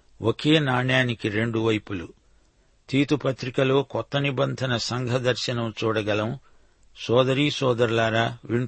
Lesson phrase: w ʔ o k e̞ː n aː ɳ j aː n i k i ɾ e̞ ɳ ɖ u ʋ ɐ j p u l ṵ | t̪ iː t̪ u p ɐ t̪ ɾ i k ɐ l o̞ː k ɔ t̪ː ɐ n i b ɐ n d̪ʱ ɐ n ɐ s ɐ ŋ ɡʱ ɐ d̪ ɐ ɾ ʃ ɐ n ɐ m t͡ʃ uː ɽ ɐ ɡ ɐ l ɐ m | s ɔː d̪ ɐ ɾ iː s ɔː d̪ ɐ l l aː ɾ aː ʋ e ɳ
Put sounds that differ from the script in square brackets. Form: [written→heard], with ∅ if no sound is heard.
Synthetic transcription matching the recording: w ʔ o k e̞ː n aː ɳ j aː n i k i ɾ e̞ ɳ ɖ u ʋ ɐ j p u l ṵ | t̪ iː t̪ u p ɐ t̪ ɾ i k ɐ l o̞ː k ɔ t̪ː ɐ n i b ɐ n d̪ʱ ɐ n ɐ s ɐ ŋ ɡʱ ɐ d̪ ɐ ɾ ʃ ɐ n ɐ m t͡ʃ uː ɽ ɐ ɡ ɐ l ɐ m | s ɔː d̪ ɐ ɾ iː s ɔː d̪ ɐ [l→ɾ] l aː ɾ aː ʋ [e→i] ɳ